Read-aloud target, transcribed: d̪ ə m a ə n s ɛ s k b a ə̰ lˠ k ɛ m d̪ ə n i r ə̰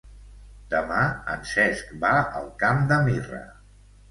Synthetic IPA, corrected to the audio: d̪ ə m a ə n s ɛ s k b a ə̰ lˠ k a m d̪ ə m i r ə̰